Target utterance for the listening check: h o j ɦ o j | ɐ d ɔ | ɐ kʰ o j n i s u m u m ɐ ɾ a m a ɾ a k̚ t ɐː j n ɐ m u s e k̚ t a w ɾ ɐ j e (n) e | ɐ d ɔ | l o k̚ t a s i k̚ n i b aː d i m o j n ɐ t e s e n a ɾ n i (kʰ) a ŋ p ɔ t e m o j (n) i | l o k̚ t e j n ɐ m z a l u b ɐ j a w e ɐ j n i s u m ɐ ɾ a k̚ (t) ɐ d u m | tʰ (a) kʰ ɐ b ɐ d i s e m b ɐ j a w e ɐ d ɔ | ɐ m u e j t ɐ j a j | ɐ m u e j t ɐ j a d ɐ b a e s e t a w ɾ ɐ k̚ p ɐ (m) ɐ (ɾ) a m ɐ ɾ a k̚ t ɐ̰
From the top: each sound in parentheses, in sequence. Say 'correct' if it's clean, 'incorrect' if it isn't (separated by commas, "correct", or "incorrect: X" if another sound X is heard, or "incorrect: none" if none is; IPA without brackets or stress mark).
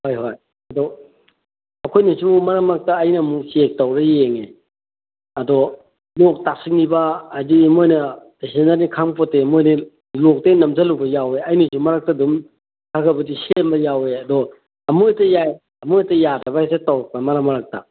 incorrect: ŋ, correct, correct, correct, correct, correct, correct